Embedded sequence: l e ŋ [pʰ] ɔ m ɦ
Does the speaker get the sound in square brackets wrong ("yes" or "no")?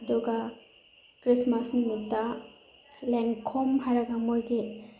yes